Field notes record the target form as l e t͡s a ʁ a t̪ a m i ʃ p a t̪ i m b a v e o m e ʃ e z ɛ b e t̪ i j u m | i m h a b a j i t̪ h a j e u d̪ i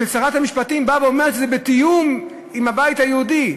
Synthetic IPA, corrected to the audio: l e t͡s a ʁ a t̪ a m i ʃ p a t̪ i m b a v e o m e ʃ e z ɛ b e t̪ i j u m | i m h a b a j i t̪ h a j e u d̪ i